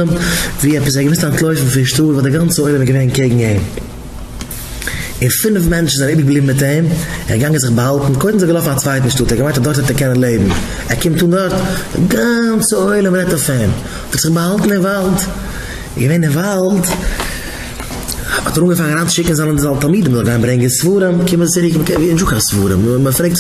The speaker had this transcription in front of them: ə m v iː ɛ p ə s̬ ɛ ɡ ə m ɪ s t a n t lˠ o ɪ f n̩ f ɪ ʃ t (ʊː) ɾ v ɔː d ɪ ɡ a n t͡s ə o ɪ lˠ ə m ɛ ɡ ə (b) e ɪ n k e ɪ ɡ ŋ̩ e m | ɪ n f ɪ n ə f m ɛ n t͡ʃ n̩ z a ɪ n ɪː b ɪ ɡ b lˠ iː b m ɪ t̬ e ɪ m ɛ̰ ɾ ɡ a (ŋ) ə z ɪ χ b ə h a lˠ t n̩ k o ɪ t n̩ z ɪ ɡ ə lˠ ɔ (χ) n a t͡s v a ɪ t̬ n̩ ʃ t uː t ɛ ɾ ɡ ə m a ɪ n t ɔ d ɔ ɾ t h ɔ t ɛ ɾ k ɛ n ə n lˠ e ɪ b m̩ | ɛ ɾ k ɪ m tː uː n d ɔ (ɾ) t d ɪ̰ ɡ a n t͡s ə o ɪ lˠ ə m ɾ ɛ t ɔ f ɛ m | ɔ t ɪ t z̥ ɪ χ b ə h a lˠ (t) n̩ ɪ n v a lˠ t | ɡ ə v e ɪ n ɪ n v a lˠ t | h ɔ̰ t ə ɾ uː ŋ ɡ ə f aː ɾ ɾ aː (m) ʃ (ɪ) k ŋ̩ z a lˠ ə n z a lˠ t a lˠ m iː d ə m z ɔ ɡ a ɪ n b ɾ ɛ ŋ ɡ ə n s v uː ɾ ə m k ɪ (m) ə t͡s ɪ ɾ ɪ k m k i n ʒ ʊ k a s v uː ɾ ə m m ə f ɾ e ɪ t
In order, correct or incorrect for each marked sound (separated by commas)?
incorrect, incorrect, correct, incorrect, correct, correct, incorrect, correct, correct